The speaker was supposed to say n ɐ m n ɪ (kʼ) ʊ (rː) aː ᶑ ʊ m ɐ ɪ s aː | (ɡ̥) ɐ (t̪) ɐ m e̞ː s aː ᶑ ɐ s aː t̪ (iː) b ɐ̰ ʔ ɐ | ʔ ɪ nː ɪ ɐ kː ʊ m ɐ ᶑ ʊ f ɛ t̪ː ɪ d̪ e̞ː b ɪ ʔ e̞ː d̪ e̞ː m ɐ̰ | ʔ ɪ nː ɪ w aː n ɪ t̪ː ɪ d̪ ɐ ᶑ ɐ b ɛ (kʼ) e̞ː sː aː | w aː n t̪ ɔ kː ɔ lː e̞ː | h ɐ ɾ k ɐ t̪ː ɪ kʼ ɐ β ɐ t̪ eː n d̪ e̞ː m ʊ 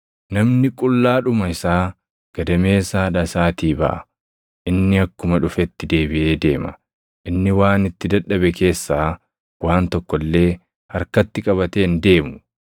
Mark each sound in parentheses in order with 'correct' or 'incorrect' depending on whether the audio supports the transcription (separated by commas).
correct, incorrect, correct, incorrect, correct, incorrect